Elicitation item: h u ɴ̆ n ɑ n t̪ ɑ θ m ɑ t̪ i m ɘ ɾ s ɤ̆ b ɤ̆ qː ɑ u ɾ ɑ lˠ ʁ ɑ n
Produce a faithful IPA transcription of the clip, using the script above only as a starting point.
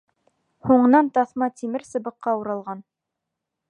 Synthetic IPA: h u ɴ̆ n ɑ n t̪ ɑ θ m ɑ t̪ i m ɘ ɾ s ɤ̆ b ɤ̆ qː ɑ u ɾ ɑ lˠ ʁ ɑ n